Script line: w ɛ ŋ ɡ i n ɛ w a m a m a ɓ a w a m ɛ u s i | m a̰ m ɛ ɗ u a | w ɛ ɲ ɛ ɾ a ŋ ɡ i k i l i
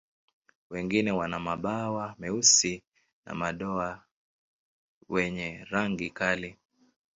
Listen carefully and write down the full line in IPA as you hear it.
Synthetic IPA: w ɛ ŋ ɡ i n ɛ w a n a m a ɓ a w a m ɛ u s i | n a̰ m a ɗ ɔ a | w ɛ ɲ ɛ ɾ a ŋ ɡ i k a l i